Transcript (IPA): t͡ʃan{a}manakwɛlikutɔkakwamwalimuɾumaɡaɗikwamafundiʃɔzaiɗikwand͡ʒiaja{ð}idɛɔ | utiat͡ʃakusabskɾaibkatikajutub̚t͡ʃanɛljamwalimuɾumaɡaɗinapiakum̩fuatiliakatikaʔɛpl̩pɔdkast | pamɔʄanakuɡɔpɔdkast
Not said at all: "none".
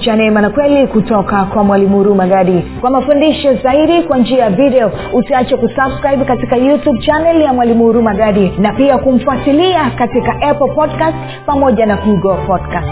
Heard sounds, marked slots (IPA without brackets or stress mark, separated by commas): ɛ, v